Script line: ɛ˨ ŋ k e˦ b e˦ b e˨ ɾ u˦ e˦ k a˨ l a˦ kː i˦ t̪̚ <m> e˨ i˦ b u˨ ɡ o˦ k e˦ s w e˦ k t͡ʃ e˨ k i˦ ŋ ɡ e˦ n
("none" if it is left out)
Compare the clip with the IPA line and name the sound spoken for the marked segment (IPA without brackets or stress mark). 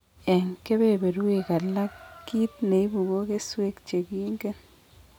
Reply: n